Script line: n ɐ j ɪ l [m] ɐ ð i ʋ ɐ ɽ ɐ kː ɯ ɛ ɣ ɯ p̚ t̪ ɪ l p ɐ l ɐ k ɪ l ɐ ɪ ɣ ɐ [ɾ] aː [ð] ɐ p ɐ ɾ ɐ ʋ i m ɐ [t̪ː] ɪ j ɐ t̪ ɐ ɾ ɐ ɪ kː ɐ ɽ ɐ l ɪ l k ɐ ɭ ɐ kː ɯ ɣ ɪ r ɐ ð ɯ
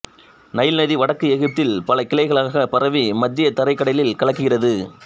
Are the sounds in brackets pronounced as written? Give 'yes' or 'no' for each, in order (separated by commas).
no, no, no, no